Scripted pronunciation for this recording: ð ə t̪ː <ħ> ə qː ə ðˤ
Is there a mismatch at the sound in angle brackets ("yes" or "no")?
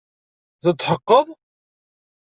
no